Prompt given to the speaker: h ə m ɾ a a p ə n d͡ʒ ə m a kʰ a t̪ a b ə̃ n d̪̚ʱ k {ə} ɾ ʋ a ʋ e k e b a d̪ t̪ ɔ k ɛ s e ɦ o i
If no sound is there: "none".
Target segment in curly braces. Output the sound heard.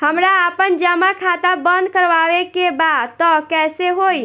ə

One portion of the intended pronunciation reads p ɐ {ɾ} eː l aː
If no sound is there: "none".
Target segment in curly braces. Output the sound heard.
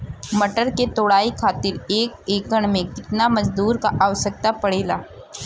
ɽ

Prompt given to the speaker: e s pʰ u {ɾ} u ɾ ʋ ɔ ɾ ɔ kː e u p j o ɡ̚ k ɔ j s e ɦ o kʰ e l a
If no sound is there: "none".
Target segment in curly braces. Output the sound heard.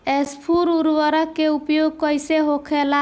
ɾ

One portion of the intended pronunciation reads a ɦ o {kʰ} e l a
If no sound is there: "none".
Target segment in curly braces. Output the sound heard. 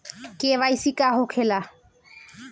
kʰ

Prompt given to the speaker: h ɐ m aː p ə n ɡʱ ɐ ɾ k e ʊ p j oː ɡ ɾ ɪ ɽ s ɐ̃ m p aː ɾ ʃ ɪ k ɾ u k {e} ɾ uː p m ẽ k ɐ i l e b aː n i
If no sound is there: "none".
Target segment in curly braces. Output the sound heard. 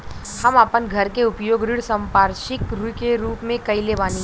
e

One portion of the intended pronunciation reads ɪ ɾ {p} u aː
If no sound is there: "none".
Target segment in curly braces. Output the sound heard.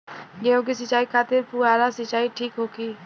p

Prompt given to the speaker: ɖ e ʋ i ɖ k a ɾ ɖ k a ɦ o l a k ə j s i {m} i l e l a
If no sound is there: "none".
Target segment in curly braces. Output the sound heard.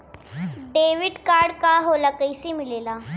m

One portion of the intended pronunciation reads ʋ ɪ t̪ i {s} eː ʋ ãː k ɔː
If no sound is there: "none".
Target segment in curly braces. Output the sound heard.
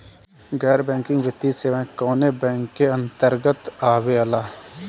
s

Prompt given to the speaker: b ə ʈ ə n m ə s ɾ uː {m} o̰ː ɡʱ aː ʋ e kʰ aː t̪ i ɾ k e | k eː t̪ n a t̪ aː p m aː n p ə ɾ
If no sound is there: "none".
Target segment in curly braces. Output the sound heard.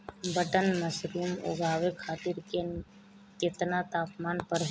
m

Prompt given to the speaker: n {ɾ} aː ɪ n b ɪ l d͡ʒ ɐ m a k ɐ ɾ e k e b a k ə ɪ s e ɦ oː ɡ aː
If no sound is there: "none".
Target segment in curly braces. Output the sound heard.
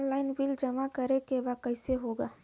l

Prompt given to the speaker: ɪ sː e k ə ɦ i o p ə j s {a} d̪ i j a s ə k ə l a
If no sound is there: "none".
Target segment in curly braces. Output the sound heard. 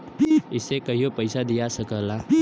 a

